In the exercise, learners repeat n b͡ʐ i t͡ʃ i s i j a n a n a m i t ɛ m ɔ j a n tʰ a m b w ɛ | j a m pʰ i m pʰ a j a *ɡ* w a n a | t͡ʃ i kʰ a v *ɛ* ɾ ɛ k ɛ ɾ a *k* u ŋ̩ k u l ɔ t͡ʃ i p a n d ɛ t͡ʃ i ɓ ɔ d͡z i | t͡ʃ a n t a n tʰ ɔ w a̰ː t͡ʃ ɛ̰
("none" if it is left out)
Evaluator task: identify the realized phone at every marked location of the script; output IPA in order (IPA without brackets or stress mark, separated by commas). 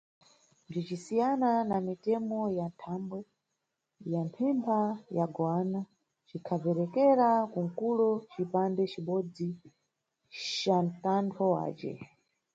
ɡ, ɛ, k